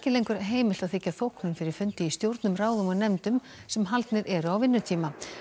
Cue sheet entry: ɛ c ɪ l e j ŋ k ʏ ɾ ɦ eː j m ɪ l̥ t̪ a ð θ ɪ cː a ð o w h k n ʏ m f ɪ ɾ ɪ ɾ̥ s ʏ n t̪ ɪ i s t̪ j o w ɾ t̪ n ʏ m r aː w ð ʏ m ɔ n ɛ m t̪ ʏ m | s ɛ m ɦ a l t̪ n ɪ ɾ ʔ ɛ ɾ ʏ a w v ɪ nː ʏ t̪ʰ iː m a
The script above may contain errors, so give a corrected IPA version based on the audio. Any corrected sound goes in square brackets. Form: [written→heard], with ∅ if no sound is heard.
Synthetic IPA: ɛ c ɪ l e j ŋ k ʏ ɾ ɦ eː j m ɪ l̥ t̪ a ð θ ɪ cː a [ð→θ] o w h k n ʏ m f ɪ ɾ ɪ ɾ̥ [s→f] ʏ n t̪ ɪ i s t̪ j o w ɾ t̪ n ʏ m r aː w ð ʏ m ɔ n ɛ m t̪ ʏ m | s ɛ m ɦ a l t̪ n ɪ ɾ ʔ ɛ ɾ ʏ a w v ɪ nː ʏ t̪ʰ iː m a

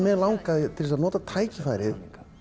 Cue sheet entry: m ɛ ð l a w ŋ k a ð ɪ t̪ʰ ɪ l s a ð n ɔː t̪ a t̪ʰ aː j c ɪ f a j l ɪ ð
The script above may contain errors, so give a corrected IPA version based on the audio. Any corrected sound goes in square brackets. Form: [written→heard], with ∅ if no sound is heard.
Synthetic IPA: m ɛ ð l a w ŋ k a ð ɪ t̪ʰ ɪ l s a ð n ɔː t̪ a t̪ʰ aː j c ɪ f a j [l→ɾ] ɪ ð

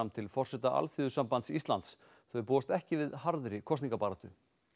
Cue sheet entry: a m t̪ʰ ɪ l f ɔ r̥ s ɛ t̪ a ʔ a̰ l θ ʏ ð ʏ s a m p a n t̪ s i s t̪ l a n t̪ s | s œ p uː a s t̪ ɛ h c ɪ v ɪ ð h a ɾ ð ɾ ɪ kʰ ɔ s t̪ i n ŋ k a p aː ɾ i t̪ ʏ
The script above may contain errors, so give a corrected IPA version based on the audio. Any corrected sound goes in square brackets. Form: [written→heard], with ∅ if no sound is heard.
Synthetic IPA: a m t̪ʰ ɪ l f ɔ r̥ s ɛ t̪ a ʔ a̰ l θ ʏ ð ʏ s a m p a n t̪ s i s t̪ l a n t̪ s | [s→θ] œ p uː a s t̪ ɛ h c ɪ v ɪ ð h a ɾ ð ɾ ɪ kʰ ɔ s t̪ i [n→∅] ŋ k a p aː ɾ [i→a] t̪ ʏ

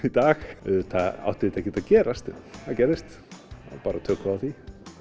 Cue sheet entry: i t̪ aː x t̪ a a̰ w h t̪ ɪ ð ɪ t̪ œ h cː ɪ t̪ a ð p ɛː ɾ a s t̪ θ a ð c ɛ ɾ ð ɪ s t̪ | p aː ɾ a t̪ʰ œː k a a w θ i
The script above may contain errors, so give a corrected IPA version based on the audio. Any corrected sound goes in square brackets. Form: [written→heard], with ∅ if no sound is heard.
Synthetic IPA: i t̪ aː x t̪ a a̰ w h t̪ ɪ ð ɪ t̪ [œ→ɛ] h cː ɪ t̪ a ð [p→c] ɛː ɾ a s t̪ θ a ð c ɛ ɾ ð ɪ s t̪ | p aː ɾ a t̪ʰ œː k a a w θ i

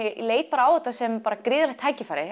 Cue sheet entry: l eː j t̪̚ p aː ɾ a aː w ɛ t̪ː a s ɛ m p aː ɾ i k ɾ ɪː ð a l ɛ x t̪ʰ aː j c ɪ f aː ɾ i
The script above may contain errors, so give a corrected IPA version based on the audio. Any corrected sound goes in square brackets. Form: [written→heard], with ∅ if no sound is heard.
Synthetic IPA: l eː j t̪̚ p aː ɾ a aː w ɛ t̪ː a s ɛ m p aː ɾ [i→a] k ɾ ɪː ð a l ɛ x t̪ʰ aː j c ɪ f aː ɾ [i→ɪ]

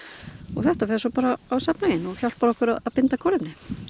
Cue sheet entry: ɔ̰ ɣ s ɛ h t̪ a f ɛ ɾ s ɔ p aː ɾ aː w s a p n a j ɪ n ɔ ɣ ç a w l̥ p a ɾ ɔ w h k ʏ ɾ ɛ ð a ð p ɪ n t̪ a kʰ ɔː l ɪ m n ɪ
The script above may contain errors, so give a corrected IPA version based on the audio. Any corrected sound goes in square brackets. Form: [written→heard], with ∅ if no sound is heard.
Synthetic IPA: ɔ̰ ɣ [s→θ] ɛ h t̪ a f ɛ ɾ s ɔ p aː ɾ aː w s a p n a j ɪ n ɔ ɣ ç a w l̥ p a ɾ ɔ [w→∅] h k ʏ ɾ [ɛ→a] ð a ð p ɪ n t̪ a kʰ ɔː l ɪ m n ɪ

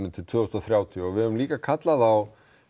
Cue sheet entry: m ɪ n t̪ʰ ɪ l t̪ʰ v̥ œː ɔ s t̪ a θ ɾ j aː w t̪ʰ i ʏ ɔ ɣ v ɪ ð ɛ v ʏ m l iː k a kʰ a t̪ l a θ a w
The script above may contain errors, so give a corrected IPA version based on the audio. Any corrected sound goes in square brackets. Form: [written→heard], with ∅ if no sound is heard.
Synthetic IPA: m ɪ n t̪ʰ ɪ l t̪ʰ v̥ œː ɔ s t̪ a θ ɾ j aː w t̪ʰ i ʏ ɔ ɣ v ɪ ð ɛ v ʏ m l iː k a kʰ a t̪ l a [θ→ð] a w

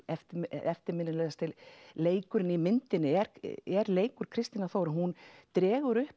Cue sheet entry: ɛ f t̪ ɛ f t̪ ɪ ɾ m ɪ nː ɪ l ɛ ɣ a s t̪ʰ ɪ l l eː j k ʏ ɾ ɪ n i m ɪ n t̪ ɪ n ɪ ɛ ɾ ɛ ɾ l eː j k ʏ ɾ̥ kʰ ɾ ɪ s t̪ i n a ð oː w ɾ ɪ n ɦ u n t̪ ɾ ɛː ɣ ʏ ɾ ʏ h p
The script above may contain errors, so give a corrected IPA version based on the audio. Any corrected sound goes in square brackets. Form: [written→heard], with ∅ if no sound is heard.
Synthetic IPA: ɛ f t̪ ɛ f t̪ ɪ ɾ m ɪ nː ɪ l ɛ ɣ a s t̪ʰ ɪ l l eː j k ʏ ɾ ɪ n i m ɪ n t̪ ɪ n ɪ ɛ ɾ ɛ ɾ l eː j k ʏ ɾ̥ kʰ ɾ ɪ s t̪ i n a [ð→θ] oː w ɾ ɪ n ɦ u n t̪ ɾ ɛː ɣ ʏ ɾ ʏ h p

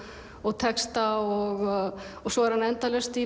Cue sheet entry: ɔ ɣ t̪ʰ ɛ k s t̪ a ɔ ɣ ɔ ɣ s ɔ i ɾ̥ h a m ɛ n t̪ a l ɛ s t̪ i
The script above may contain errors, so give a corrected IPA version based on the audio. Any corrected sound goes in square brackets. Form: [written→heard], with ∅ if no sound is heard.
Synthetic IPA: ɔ ɣ t̪ʰ ɛ k s t̪ a ɔ ɣ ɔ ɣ s ɔ [i→ɛ] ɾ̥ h a [m→n] ɛ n t̪ a l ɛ s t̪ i

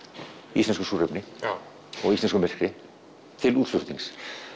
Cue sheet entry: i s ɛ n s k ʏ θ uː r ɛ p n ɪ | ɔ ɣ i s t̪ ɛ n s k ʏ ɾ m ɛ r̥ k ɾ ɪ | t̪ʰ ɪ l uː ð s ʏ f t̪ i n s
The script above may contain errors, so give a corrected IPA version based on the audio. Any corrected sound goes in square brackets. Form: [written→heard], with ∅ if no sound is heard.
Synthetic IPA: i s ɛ n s k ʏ [θ→s] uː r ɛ p n ɪ | ɔ ɣ i s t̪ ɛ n s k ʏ [ɾ→∅] m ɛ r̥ k ɾ ɪ | t̪ʰ ɪ l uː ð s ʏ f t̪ i [n→ŋ] s

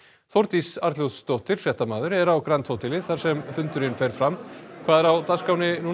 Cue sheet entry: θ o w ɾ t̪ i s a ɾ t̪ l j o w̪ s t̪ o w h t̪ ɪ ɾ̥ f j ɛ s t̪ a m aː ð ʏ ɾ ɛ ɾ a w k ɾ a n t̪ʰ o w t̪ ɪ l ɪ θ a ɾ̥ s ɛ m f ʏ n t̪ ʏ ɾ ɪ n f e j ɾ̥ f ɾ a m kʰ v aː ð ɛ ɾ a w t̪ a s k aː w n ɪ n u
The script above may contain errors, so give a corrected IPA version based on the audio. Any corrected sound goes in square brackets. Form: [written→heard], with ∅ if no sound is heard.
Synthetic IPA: θ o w ɾ t̪ i s a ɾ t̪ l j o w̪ s t̪ o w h t̪ ɪ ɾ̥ f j ɛ [s→h] t̪ a m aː ð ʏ ɾ ɛ ɾ a w k ɾ a n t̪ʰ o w t̪ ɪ l ɪ θ a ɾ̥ s ɛ m f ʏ n t̪ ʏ ɾ ɪ n f e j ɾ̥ f ɾ a m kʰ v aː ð ɛ ɾ a w t̪ a s k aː w n ɪ n u

